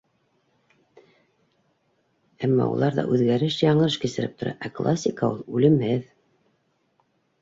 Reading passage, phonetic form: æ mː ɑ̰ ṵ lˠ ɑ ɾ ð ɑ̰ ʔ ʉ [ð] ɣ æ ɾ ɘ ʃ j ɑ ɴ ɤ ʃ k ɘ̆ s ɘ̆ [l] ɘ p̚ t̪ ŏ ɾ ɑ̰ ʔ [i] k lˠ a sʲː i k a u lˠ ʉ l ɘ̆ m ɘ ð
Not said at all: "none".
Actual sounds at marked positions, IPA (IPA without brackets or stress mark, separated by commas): ð, ɾ, æ